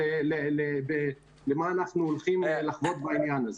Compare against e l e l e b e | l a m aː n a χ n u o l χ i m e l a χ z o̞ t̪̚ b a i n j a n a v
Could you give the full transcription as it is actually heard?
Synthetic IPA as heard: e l e l e b e | l e m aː n a χ n u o l χ i m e l a χ v o̞ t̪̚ b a i n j a n a z